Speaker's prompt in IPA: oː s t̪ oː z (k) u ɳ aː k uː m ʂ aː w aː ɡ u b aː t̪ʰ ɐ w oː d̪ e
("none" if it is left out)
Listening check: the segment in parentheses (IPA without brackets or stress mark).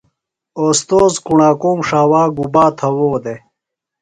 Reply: k